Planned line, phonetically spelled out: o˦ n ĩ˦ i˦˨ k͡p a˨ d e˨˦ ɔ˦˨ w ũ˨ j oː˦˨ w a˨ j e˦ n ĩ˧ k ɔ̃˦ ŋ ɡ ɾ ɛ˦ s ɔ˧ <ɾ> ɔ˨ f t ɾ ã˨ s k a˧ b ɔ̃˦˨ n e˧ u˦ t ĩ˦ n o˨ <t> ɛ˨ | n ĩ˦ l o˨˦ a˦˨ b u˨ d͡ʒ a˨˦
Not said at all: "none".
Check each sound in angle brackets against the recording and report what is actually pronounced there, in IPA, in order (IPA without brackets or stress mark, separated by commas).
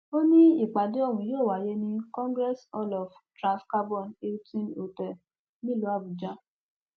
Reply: l, t